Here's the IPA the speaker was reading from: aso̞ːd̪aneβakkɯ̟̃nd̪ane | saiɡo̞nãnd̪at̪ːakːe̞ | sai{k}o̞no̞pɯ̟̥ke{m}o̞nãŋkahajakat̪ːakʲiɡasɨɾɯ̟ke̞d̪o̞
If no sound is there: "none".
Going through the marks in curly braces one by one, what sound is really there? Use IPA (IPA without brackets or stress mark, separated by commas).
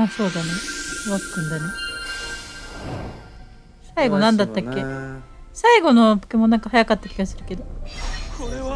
ɡ, m